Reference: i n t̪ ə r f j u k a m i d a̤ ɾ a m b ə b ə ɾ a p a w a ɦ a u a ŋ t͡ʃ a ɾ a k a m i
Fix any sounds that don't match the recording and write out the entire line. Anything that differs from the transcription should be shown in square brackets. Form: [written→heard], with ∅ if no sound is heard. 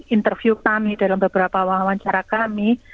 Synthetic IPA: i n t̪ ə r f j u k a m i d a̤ [ɾ→l] a m b ə b ə ɾ a p a w a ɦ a [u→w] a [ŋ→ɲ] t͡ʃ a ɾ a k a m i